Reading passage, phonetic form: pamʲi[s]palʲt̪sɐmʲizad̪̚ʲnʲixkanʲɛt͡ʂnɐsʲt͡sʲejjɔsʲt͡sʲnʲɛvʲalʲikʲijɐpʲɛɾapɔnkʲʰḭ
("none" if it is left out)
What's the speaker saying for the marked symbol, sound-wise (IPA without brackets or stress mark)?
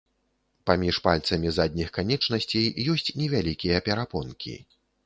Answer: ʂ